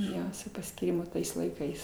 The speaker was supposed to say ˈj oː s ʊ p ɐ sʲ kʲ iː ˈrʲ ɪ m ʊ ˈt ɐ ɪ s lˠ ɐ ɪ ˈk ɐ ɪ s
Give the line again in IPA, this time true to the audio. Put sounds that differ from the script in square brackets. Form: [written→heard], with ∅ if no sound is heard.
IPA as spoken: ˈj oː s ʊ p ɐ sʲ kʲ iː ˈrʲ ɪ m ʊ ˈt ɐ ɪ s lˠ ɐ ɪ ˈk ɐ ɪ s

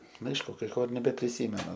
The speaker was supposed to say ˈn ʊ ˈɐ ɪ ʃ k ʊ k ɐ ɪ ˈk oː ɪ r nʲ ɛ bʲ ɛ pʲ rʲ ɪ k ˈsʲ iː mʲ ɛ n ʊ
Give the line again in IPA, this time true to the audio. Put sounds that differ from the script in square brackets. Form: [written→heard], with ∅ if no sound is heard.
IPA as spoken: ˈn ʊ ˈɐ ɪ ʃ k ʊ k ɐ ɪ ˈk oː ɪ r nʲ ɛ bʲ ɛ pʲ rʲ ɪ [k→∅] ˈsʲ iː mʲ ɛ n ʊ

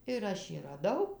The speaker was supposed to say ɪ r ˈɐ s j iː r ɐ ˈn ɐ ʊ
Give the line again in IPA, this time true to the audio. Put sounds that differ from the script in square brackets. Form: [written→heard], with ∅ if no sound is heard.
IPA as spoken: ɪ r ˈɐ [s→ʃ] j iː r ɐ [ˈn→ˈd] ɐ ʊ

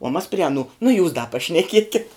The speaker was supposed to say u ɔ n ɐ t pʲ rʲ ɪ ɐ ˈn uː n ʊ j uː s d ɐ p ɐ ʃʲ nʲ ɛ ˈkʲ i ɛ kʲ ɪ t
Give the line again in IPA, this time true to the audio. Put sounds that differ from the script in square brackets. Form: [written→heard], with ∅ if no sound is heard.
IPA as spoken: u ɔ [n→m] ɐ [t→s] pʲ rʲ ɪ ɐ ˈn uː n ʊ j uː s d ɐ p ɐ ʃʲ nʲ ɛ ˈkʲ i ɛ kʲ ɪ t

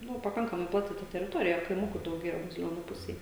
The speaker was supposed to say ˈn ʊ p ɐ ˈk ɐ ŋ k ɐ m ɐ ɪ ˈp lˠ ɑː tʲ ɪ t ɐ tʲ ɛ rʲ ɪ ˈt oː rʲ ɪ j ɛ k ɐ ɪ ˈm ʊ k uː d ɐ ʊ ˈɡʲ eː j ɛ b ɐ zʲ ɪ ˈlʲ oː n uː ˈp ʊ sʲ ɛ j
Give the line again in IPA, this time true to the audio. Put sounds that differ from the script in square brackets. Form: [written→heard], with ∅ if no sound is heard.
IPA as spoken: ˈn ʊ p ɐ ˈk ɐ ŋ k ɐ m ɐ ɪ ˈp lˠ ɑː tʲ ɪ t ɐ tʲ ɛ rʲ ɪ ˈt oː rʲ ɪ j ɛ k ɐ ɪ ˈm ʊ k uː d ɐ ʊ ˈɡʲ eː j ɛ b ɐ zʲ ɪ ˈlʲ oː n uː ˈp ʊ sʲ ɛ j

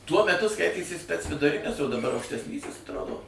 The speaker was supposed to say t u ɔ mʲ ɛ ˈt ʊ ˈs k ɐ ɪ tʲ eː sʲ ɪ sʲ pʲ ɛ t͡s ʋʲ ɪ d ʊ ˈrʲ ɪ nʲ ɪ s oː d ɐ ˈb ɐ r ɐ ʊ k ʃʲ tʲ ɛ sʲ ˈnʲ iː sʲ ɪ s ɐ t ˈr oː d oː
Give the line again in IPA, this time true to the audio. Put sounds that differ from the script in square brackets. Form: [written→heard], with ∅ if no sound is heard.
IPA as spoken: t u ɔ mʲ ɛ ˈt ʊ ˈs k ɐ ɪ tʲ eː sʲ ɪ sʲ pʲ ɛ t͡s ʋʲ ɪ d ʊ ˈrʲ ɪ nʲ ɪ s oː d ɐ ˈb ɐ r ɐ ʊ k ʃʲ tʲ ɛ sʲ ˈnʲ iː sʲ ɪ s ɐ t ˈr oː d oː

